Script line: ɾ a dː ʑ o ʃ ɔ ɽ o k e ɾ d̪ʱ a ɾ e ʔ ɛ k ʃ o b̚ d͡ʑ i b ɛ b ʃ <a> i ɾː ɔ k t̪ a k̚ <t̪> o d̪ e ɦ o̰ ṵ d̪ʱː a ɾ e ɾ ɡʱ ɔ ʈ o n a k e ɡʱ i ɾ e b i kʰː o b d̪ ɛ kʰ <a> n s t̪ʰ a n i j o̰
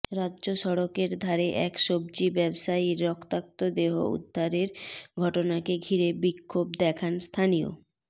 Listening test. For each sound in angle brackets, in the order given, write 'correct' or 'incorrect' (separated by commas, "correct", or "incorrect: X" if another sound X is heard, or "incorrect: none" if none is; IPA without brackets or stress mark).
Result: correct, correct, correct